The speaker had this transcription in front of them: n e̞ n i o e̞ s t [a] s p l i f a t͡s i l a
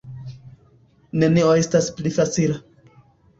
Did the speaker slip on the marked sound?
no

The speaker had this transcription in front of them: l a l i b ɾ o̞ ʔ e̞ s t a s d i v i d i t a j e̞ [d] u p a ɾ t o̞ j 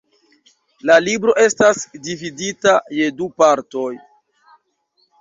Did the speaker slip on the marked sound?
no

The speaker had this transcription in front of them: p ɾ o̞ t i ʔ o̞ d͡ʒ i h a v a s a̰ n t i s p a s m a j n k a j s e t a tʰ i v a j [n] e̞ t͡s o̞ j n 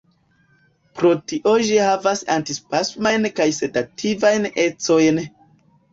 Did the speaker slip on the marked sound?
no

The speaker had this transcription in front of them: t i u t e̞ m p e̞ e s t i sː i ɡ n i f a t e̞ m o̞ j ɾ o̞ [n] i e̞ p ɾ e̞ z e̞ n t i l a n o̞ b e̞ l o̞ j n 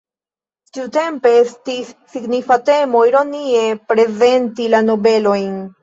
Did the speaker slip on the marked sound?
no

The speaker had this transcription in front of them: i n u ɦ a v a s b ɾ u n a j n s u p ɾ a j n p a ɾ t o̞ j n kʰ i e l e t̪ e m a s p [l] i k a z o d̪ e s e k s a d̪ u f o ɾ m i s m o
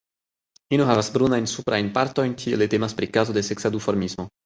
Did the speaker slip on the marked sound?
yes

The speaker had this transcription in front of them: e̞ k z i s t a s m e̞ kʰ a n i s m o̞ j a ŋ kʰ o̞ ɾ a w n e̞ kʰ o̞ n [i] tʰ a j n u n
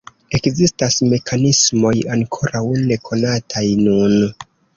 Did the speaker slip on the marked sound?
yes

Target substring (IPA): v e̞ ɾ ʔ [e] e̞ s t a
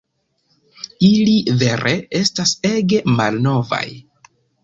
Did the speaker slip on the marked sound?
no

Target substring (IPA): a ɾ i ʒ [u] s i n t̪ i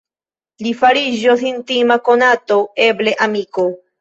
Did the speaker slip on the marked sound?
yes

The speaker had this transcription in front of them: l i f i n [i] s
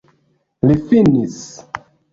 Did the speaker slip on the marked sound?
no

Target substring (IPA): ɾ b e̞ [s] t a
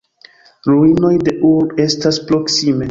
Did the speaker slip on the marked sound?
no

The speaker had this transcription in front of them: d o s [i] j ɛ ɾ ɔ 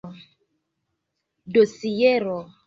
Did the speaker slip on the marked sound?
no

